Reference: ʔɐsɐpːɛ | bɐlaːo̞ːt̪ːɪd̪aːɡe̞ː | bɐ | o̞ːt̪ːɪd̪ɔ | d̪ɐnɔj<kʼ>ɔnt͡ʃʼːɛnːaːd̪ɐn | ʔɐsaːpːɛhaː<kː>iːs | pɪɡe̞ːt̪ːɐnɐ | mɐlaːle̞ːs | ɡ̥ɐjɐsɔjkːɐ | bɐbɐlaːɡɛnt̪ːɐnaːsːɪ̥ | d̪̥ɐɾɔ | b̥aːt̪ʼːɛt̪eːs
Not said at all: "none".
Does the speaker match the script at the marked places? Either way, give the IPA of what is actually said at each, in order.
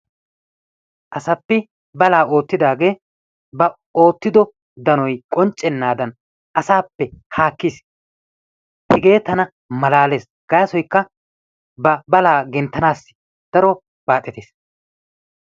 kʼ, kː

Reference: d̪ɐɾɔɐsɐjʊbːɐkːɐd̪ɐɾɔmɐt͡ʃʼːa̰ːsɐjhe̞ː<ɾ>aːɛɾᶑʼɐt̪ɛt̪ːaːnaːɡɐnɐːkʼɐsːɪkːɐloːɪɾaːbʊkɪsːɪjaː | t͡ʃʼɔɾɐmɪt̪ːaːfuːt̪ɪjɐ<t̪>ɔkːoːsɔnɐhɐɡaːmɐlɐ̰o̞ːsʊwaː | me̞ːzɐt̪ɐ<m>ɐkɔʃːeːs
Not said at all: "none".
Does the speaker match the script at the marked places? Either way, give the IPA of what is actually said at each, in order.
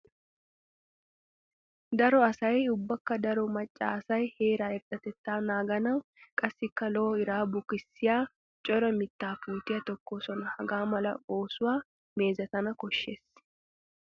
ɾ, t̪, n

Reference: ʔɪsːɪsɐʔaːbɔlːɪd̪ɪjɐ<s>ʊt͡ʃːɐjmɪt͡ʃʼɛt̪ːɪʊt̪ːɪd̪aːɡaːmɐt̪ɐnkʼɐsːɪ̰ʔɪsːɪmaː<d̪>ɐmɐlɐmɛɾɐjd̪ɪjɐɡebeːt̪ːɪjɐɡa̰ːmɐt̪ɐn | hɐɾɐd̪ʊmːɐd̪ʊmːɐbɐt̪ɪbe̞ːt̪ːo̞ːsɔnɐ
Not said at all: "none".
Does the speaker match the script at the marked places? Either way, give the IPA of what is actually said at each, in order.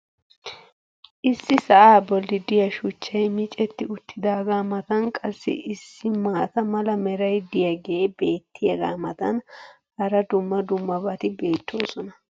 ʃ, t̪

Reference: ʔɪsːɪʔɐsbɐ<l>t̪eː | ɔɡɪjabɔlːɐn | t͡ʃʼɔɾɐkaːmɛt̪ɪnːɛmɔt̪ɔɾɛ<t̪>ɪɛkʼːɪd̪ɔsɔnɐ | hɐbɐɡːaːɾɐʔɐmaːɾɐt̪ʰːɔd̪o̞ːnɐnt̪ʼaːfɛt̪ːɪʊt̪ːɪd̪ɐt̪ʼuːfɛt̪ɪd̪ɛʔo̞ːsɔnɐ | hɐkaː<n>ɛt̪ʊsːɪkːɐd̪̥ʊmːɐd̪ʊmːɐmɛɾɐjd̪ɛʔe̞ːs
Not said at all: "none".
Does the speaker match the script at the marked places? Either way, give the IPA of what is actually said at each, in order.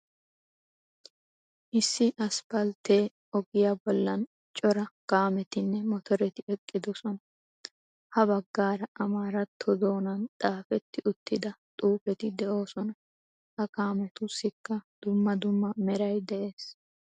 l, t̪, m

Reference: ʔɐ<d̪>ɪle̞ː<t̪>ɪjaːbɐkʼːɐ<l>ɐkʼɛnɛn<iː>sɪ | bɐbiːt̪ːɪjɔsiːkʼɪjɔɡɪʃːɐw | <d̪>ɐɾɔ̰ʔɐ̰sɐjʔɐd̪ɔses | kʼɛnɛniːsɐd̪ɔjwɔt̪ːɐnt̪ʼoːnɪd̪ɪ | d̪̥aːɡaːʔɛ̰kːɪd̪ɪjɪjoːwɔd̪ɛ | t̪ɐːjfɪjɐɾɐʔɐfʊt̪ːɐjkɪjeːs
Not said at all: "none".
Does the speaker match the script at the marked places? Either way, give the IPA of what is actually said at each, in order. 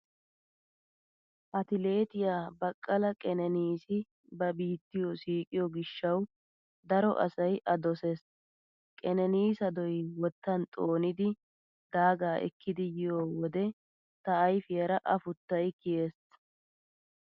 t̪, t̪, l, iː, d̪

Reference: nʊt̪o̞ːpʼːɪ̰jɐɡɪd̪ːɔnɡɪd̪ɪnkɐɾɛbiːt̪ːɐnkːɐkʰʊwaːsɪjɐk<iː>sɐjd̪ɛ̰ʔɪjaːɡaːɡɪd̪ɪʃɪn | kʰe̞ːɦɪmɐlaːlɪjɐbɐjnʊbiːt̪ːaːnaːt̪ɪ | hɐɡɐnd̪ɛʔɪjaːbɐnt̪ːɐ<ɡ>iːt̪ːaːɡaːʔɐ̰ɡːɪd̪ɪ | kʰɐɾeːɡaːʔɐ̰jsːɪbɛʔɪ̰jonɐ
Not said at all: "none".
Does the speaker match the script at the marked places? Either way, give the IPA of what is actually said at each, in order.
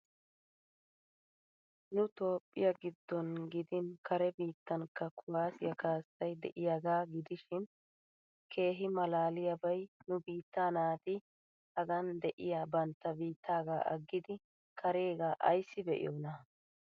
aː, b

